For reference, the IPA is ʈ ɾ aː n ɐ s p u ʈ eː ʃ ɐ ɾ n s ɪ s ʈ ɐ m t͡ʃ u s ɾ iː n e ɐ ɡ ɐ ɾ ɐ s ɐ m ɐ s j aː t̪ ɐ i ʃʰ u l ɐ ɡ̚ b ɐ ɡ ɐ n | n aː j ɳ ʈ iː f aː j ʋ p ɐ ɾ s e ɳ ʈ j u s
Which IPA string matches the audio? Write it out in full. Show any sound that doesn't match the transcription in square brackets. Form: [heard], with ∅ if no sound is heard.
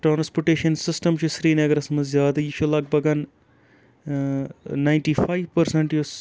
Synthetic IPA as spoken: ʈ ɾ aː n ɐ s p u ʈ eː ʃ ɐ [∅] n s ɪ s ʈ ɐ m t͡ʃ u s ɾ iː n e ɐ ɡ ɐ ɾ ɐ s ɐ m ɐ [z] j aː [d̪] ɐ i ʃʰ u l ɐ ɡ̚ b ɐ ɡ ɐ n | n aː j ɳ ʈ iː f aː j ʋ p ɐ ɾ s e ɳ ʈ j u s